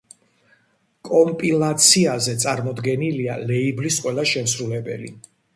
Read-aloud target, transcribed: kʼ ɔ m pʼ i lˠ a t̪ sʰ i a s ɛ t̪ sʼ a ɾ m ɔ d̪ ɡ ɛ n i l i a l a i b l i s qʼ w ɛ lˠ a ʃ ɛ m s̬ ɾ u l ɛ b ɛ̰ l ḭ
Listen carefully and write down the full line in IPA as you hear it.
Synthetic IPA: kʼ ɔ m pʼ i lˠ a t̪ sʰ i a z ɛ t̪ sʼ a ɾ m ɔ d̪ ɡ ɛ n i l i a l ɛ i b l i s qʼ w ɛ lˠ a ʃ ɛ m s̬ ɾ u l ɛ b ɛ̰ l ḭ